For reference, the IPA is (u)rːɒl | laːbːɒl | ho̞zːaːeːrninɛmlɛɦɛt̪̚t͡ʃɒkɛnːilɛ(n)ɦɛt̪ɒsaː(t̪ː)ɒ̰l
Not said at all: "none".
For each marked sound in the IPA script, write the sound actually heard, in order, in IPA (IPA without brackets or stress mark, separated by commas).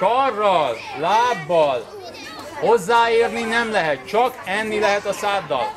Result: ɒ, none, d̪ː